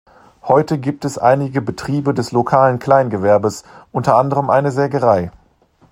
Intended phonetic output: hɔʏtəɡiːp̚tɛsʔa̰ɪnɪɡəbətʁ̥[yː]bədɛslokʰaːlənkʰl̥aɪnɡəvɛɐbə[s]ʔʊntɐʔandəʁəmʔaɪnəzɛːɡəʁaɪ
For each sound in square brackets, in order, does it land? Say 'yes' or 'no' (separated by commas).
no, yes